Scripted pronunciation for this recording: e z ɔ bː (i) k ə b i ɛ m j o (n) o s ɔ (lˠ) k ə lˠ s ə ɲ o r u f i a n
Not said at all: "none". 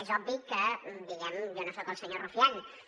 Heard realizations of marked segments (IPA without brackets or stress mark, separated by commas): i, n, none